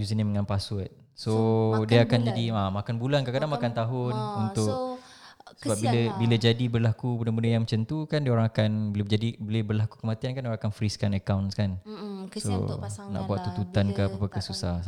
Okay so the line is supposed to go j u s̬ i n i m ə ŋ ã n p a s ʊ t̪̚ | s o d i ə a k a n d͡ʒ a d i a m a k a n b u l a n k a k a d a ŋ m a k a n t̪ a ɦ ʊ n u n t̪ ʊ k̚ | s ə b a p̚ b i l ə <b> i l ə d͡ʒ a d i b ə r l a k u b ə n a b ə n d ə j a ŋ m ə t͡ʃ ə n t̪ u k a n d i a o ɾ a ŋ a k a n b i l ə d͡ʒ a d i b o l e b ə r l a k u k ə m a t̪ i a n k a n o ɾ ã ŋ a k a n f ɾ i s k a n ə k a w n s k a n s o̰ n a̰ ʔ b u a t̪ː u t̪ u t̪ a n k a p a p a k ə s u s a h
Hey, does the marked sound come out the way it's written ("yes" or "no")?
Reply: yes